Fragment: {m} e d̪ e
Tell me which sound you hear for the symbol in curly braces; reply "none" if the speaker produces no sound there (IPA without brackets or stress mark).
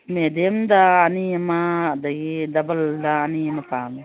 m